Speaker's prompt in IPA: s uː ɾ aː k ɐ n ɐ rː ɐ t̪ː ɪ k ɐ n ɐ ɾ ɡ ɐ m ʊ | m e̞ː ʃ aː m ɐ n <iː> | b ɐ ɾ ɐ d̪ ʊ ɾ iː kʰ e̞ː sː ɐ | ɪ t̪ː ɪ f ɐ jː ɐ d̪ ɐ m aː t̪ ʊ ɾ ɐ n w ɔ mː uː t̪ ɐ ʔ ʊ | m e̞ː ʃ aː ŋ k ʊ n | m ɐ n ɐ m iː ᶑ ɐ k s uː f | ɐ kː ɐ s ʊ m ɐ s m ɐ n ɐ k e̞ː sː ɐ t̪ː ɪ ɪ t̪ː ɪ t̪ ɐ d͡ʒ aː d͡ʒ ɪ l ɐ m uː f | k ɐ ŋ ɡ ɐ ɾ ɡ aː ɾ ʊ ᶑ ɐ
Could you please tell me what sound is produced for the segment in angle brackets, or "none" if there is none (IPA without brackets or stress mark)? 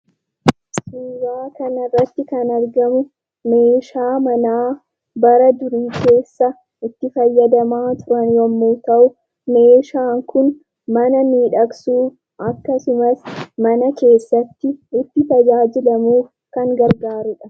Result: aː